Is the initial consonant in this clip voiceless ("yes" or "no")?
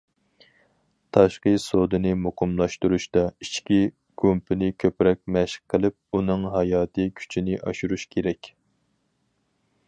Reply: yes